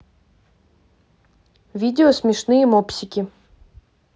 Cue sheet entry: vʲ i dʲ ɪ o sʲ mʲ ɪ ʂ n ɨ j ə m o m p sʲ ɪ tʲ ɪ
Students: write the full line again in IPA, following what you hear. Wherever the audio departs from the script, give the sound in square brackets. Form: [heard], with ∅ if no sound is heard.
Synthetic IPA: vʲ i dʲ ɪ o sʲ mʲ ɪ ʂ n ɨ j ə m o [∅] p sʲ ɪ [kʲ] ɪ

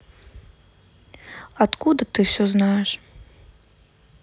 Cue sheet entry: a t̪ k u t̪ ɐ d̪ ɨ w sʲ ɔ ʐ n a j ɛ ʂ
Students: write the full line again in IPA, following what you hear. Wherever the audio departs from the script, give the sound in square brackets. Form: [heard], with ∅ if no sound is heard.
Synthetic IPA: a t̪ k u [d̪] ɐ [t̪] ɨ w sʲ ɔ [z] n a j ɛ ʂ

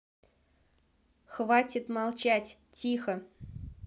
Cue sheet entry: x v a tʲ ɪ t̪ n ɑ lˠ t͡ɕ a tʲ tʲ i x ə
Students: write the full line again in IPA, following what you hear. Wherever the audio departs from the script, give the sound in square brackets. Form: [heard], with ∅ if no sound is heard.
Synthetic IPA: x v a tʲ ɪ t̪ [m] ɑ lˠ t͡ɕ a tʲ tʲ i x ə

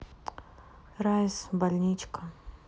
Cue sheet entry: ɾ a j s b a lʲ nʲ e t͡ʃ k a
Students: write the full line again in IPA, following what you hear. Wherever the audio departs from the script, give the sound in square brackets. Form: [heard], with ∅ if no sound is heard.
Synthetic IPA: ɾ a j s b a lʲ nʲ [i] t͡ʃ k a

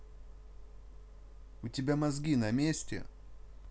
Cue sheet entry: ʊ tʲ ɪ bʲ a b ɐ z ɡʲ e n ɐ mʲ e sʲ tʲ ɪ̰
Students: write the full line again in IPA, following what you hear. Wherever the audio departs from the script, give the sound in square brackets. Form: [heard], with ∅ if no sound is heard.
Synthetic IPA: ʊ tʲ ɪ bʲ a [m] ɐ z ɡʲ [i] n ɐ mʲ e sʲ tʲ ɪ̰

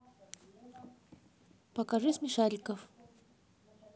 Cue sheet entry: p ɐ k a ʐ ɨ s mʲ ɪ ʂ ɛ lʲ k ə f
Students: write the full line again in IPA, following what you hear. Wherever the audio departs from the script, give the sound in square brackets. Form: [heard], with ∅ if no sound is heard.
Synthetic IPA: p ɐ k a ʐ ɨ s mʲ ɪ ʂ [a] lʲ k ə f

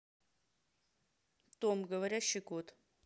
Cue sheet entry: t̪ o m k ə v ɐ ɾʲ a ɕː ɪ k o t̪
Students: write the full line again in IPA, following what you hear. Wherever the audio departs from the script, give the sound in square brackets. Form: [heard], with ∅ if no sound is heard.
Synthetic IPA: t̪ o m [ɡ] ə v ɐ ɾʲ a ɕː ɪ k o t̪

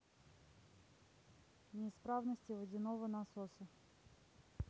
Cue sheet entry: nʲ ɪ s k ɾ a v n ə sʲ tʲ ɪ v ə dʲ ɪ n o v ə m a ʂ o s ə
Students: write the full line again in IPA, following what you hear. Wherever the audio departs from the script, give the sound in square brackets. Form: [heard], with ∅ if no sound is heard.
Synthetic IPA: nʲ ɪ s [p] ɾ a v n ə sʲ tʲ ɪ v ə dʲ ɪ n o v ə [n] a [s] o s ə

